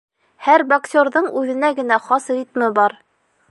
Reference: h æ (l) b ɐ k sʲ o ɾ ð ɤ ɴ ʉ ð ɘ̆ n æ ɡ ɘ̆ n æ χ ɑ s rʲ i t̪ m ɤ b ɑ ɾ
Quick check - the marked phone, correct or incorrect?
incorrect